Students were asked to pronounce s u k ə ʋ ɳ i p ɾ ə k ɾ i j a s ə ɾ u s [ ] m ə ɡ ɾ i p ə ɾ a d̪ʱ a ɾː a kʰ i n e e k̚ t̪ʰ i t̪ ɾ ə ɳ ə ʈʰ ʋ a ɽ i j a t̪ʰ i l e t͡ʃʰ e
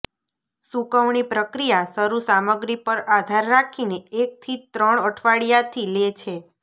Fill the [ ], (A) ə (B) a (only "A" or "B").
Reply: B